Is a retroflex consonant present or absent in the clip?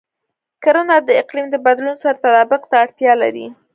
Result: present